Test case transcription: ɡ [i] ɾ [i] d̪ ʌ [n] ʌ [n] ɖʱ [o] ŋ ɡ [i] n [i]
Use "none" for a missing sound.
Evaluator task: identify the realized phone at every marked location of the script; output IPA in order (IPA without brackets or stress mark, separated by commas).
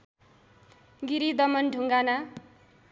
i, i, m, n, u, a, a